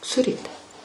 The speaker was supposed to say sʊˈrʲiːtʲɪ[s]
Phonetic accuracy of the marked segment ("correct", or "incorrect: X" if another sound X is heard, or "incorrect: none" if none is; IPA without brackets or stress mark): incorrect: none